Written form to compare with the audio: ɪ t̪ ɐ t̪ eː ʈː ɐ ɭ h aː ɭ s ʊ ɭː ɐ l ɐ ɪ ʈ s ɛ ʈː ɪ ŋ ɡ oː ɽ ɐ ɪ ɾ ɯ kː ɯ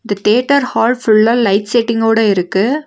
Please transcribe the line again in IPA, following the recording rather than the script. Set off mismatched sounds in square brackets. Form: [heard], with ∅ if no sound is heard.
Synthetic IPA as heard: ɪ [d̪] ɐ t̪ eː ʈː ɐ [ɾ] h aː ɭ [f] ʊ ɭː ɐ l ɐ ɪ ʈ s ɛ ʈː ɪ ŋ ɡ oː ɽ ɐ ɪ ɾ ɯ kː ɯ